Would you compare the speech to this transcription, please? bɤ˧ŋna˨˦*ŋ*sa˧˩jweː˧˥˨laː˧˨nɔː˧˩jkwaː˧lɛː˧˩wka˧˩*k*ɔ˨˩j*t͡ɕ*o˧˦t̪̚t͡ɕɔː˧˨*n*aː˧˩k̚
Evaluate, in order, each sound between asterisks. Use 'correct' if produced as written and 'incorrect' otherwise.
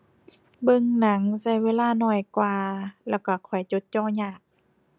correct, incorrect, correct, incorrect

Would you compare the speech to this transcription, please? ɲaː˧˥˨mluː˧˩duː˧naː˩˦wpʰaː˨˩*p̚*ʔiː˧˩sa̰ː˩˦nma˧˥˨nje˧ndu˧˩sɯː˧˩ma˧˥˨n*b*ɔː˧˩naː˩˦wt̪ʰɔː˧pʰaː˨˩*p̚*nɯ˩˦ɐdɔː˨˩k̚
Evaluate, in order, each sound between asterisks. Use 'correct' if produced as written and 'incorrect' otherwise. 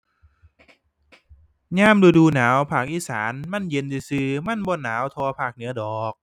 incorrect, correct, incorrect

